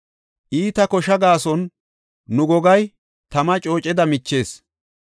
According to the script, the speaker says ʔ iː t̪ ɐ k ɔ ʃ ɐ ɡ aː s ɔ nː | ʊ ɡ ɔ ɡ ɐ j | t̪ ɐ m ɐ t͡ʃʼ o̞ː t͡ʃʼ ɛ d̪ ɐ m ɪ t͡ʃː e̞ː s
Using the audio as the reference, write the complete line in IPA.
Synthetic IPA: ʔ iː t̪ ɐ k ɔ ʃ ɐ ɡ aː s ɔ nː | ʊ ɡ ɔ ɡ ɐ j | t̪ ɐ m ɐ t͡ʃʼ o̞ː t͡ʃʼ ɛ d̪ ɐ m ɪ t͡ʃː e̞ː s